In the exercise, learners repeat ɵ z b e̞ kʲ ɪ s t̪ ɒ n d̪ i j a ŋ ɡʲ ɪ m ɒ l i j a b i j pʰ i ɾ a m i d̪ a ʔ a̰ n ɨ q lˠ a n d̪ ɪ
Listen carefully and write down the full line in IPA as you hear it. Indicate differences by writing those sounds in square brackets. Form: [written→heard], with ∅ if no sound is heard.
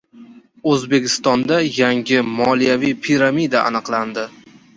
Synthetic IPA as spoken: ɵ z b e̞ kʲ ɪ s t̪ ɒ n d̪ [i→a] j a ŋ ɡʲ ɪ m ɒ l i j a [b→v] i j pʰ i ɾ a m i d̪ a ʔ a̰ n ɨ q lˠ a n d̪ ɪ